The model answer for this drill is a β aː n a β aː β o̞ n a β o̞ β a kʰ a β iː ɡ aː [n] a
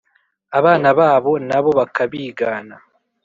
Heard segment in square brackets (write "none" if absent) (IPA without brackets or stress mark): n